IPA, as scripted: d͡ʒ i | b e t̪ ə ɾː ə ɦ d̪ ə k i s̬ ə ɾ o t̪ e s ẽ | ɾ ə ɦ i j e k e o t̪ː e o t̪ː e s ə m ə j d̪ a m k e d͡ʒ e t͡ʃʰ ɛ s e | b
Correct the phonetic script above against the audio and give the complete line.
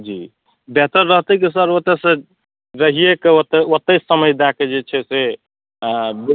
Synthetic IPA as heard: d͡ʒ i | b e t̪ ə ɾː ə ɦ t̪ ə k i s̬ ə ɾ o t̪ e s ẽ | ɾ ə ɦ i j e k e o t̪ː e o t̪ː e s ə m ə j d̪ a k e d͡ʒ e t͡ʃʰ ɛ s e | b